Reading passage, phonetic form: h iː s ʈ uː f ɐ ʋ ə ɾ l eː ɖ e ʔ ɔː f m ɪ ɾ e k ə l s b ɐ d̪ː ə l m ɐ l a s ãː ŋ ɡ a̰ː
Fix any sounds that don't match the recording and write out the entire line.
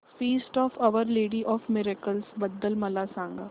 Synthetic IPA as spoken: f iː s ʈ ɔː f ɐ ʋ ə ɾ l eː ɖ i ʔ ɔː f m ɪ ɾ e k ə l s b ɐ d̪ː ə l m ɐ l a s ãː ŋ ɡ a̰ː

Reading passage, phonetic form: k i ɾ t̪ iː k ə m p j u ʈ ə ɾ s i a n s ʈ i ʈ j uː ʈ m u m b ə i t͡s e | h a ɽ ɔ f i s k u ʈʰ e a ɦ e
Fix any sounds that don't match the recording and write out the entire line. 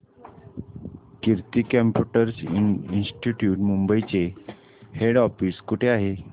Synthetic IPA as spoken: k i ɾ t̪ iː k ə m p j u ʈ ə ɾ s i i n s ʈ i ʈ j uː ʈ m u m b ə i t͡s e | h e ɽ ɔ f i s k u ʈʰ e a ɦ e

